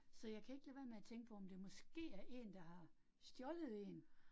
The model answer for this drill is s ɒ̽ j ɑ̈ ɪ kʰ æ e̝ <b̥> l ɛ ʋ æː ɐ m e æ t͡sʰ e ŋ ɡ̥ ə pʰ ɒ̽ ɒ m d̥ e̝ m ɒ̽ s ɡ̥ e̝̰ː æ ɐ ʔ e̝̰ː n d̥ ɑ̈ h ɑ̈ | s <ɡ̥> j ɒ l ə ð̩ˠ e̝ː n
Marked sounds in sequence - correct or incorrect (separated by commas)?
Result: incorrect, incorrect